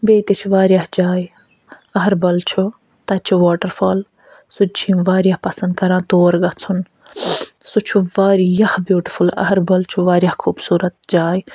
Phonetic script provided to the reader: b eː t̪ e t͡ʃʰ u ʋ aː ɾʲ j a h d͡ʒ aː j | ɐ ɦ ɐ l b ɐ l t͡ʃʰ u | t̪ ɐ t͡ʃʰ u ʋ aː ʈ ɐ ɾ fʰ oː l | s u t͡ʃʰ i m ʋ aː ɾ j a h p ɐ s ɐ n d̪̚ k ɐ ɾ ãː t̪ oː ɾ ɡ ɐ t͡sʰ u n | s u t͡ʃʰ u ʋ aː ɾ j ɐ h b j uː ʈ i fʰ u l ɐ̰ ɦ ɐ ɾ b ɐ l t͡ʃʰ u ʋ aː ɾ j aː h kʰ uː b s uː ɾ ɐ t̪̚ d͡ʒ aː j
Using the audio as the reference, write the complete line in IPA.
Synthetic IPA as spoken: b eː t̪ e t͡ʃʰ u ʋ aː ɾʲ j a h d͡ʒ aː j | ɐ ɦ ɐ ɾ b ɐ l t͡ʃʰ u | t̪ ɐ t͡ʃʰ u ʋ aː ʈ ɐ ɾ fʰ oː l | s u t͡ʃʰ i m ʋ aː ɾ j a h p ɐ s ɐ n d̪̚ k ɐ ɾ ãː t̪ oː ɾ ɡ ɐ t͡sʰ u n | s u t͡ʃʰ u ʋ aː ɾ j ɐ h b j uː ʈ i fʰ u l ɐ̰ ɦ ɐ ɾ b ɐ l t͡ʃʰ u ʋ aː ɾ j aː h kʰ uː b s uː ɾ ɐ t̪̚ d͡ʒ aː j